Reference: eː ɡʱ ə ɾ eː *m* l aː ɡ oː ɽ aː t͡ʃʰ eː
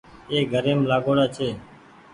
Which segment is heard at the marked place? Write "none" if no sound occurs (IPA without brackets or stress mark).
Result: m